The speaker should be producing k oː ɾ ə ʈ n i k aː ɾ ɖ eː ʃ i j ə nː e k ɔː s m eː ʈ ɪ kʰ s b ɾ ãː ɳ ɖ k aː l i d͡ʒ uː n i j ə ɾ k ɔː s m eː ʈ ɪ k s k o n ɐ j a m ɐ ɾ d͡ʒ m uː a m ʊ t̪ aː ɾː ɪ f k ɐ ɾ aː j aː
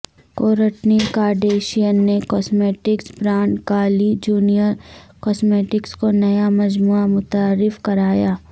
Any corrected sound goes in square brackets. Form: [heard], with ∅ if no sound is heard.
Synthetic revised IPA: k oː ɾ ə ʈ n i k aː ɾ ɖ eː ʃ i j ə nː e k ɔː s m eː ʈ ɪ [k] s b ɾ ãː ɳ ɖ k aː l i d͡ʒ uː n i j ə ɾ k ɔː s m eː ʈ ɪ k s k o n ɐ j a m ɐ [∅] d͡ʒ m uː a m ʊ t̪ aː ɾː ɪ f k ɐ ɾ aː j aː